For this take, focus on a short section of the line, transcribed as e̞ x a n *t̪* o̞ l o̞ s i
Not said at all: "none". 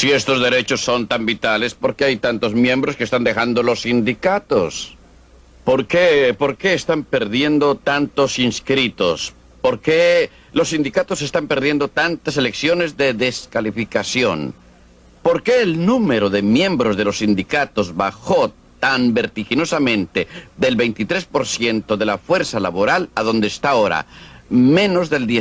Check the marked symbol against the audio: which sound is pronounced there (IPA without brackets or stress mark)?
d̪